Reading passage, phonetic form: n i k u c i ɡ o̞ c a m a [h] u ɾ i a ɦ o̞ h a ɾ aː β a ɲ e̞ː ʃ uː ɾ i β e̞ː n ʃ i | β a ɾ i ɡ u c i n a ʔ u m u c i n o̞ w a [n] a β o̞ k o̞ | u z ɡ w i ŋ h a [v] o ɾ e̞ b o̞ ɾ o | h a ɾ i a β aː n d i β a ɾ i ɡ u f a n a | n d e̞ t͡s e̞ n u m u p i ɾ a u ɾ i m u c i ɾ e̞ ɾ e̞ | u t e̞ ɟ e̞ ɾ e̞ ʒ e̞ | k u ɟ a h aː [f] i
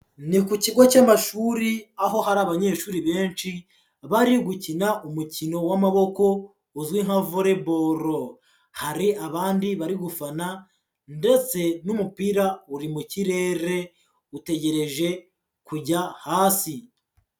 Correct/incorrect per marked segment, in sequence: incorrect, incorrect, correct, incorrect

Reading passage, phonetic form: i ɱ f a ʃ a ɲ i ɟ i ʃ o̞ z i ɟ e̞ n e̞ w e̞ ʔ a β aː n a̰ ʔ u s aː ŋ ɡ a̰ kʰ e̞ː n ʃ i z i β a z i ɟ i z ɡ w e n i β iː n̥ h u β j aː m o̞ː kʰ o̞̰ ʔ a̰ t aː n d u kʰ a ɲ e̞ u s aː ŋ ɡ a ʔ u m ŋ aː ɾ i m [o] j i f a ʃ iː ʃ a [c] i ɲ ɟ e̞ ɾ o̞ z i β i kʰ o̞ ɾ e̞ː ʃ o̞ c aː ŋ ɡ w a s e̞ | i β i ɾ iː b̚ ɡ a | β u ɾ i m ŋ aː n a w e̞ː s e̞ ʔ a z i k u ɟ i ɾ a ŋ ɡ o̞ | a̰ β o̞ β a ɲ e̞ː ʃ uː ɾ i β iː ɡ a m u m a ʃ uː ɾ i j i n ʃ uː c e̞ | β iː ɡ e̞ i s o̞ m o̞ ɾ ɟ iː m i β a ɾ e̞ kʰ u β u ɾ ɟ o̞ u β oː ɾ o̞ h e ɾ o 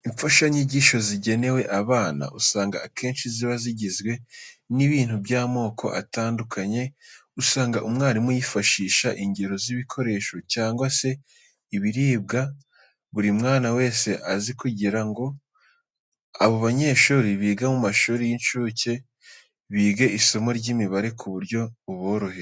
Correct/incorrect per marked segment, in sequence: incorrect, incorrect

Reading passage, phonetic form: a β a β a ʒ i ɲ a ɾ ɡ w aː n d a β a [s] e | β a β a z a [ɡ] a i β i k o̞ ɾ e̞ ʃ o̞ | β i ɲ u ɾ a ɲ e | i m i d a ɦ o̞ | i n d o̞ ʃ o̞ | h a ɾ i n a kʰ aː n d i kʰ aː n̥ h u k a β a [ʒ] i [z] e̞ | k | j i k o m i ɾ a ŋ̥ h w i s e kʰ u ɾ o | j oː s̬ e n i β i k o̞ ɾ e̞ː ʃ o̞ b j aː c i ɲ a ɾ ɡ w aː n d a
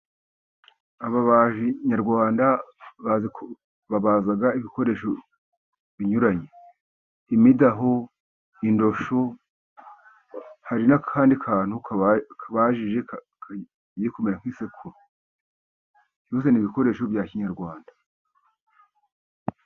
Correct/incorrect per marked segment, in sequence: incorrect, correct, correct, incorrect

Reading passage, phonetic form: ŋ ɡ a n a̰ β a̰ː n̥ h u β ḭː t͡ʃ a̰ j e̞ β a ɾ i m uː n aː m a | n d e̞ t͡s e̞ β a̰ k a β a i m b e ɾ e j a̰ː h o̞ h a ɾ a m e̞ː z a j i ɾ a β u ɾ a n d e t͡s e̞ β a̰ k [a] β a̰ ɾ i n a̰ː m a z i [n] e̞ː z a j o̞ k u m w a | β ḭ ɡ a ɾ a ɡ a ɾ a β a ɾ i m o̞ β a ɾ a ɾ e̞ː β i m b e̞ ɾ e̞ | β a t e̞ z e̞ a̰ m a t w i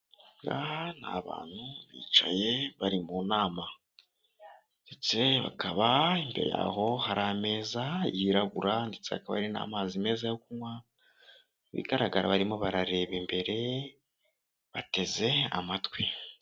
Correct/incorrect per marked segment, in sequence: correct, incorrect

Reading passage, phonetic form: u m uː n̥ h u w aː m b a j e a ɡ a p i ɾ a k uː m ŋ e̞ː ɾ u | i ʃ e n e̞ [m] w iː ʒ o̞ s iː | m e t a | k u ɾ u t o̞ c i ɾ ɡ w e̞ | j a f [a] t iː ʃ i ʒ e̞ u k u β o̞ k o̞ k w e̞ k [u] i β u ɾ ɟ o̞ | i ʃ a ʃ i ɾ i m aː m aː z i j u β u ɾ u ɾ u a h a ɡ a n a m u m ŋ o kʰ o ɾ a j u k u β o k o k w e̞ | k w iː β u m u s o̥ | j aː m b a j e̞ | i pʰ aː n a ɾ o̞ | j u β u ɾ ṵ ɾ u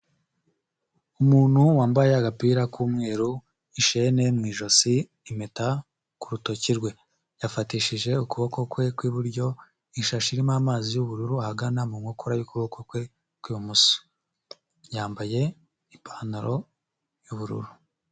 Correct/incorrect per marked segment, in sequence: correct, correct, incorrect

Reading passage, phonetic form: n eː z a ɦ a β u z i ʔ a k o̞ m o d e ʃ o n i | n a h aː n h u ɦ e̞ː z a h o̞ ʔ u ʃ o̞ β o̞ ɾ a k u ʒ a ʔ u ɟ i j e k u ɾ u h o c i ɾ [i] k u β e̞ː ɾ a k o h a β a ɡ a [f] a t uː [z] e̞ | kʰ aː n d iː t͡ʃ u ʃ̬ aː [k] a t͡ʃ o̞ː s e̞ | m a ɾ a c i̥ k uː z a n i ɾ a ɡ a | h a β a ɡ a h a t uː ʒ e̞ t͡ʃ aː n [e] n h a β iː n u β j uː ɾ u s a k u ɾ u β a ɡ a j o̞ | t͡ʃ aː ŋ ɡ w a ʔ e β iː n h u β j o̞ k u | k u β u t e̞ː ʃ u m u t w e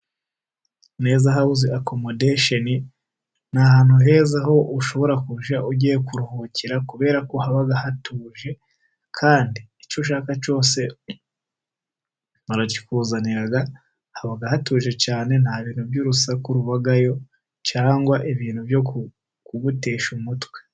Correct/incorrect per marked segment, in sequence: incorrect, incorrect, incorrect, correct, correct

